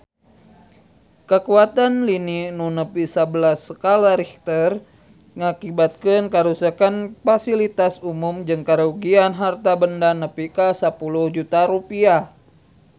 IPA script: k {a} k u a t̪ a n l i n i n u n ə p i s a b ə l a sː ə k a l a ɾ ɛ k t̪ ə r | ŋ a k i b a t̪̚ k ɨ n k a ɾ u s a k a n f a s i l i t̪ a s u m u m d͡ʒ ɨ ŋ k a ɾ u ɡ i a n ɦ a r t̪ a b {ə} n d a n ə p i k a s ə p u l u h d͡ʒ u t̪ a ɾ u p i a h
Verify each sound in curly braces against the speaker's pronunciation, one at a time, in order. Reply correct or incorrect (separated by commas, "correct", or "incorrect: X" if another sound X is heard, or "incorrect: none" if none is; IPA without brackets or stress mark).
incorrect: ə, correct